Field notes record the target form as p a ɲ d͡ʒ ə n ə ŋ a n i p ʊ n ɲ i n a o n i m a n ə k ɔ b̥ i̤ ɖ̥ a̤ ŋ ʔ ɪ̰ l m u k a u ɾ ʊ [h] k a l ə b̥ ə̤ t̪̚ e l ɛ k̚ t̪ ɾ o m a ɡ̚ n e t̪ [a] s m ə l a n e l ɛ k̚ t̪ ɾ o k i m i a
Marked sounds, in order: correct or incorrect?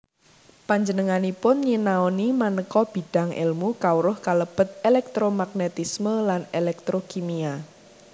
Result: correct, incorrect

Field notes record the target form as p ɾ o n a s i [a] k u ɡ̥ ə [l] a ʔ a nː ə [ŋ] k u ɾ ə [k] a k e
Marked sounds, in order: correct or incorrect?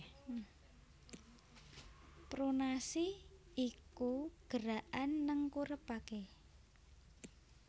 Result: incorrect, incorrect, correct, incorrect

